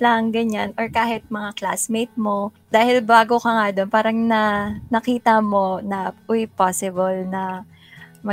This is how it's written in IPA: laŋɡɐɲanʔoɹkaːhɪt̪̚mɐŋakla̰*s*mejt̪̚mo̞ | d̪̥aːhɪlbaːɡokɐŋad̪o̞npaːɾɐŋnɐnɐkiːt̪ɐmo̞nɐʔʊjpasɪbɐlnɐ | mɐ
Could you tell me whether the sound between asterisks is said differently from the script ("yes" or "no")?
no